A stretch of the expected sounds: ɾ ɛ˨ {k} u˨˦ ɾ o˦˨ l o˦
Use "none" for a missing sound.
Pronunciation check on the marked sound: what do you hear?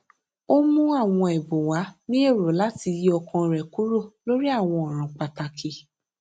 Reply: k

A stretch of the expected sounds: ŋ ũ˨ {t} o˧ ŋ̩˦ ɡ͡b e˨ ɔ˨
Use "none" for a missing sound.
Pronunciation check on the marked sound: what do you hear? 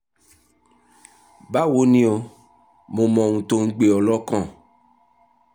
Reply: t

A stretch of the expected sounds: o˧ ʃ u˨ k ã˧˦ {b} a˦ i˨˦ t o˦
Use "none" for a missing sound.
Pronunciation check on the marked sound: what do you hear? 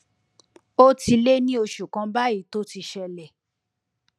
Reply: b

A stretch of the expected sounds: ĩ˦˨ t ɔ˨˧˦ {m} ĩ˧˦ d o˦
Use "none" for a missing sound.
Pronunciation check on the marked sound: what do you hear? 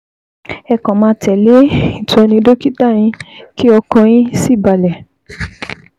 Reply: n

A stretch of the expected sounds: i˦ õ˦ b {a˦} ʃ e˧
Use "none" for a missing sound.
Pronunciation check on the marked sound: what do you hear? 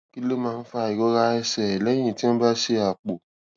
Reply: a˦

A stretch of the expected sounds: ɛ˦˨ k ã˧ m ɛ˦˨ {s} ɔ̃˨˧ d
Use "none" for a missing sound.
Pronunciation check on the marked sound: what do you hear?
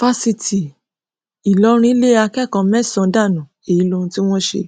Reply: s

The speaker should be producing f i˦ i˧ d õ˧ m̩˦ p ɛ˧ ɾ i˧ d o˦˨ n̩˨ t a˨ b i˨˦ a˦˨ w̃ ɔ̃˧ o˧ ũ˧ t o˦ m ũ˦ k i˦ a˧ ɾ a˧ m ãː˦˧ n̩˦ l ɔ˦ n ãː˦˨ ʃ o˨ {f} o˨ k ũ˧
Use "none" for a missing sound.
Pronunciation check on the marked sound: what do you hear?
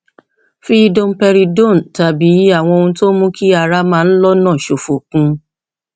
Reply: f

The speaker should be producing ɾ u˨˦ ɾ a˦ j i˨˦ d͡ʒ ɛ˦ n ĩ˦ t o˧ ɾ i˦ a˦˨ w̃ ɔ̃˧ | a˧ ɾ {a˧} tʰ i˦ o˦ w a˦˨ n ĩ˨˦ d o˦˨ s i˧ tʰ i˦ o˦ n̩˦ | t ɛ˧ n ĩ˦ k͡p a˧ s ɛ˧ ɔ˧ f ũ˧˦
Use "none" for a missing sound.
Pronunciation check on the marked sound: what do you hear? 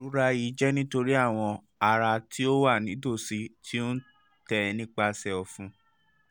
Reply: a˧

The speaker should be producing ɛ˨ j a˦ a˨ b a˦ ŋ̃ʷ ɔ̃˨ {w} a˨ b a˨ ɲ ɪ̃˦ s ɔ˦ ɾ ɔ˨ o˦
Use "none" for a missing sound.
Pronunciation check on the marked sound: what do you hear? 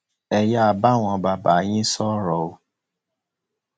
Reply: b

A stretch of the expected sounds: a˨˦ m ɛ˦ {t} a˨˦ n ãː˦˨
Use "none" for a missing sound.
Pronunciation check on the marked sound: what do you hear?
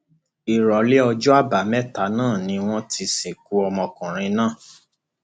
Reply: t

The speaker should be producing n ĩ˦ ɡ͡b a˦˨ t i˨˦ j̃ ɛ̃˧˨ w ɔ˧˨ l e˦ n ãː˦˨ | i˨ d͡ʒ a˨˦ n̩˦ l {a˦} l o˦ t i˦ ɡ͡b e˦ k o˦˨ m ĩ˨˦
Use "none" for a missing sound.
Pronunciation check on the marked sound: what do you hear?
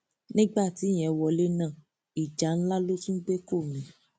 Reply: a˦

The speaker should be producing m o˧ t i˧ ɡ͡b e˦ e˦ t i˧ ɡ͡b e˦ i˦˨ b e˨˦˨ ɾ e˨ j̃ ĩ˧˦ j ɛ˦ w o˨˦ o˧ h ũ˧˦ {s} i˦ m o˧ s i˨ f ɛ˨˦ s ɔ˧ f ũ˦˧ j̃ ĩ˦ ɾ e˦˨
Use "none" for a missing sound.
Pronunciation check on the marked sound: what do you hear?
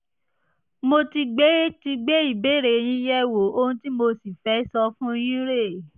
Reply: t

